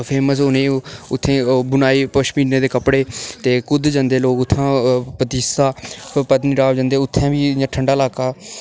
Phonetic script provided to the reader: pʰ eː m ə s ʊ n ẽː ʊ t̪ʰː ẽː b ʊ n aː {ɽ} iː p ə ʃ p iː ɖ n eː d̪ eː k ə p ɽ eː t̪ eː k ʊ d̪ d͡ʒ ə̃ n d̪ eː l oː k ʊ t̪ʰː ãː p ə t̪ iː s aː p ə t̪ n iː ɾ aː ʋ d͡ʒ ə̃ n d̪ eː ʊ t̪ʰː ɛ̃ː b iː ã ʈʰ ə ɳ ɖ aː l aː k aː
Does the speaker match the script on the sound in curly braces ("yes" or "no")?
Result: no